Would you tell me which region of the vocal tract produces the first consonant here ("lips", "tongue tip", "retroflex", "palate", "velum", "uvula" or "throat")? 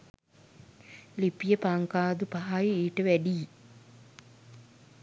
tongue tip